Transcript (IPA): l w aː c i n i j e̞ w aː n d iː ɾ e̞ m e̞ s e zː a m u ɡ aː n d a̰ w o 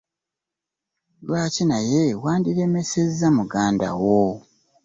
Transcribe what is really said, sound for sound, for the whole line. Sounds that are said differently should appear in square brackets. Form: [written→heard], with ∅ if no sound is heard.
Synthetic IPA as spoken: l w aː c i n [i→a] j e̞ w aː n d [iː→i] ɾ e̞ m e̞ s e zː a m u ɡ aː n d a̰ w o